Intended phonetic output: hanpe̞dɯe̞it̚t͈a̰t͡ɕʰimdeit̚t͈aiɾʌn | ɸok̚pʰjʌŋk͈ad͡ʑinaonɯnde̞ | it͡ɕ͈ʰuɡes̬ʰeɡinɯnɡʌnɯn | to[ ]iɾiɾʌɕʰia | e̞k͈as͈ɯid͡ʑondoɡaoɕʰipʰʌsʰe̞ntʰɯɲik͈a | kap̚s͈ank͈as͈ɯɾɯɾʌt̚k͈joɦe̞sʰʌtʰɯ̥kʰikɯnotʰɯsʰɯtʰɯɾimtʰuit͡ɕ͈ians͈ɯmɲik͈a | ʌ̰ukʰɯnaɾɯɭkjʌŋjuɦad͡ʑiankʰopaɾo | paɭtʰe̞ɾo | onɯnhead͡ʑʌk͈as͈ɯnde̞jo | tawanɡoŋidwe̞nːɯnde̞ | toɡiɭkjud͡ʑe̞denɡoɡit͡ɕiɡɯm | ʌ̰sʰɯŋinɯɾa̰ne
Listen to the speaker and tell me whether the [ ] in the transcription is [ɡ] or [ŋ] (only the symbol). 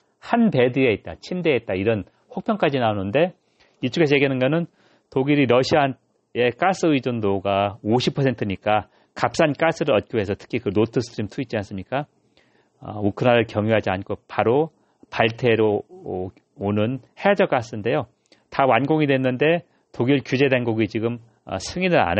ɡ